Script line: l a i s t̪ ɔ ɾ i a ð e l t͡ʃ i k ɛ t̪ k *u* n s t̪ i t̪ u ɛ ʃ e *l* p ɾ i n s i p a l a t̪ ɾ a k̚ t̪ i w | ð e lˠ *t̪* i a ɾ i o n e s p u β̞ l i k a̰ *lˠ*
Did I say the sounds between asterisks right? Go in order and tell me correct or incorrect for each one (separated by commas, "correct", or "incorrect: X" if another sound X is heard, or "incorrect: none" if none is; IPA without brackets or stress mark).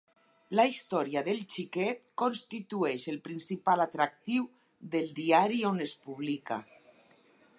incorrect: o, correct, incorrect: d̪, incorrect: none